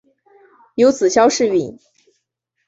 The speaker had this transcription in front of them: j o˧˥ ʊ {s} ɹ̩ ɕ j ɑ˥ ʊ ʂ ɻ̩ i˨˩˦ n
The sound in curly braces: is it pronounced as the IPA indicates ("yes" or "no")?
no